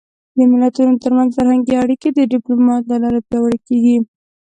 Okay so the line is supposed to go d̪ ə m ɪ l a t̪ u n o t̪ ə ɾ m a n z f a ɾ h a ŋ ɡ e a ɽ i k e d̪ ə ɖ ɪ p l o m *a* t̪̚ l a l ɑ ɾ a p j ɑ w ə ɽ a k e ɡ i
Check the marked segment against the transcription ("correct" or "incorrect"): incorrect